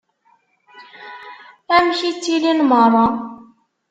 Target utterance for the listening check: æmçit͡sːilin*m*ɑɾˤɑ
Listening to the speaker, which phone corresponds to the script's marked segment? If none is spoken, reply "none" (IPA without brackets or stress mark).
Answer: m